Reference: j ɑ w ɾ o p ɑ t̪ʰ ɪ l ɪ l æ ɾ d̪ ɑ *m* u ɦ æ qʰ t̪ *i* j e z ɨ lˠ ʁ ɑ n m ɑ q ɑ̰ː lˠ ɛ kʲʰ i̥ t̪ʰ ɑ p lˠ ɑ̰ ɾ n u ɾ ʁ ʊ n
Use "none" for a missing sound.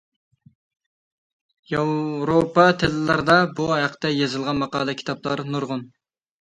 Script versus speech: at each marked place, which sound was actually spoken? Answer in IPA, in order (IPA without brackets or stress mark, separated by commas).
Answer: b, ɛ